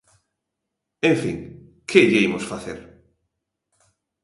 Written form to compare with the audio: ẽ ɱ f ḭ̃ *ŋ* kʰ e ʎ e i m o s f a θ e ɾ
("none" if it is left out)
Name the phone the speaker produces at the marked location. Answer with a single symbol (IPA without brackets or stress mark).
ŋ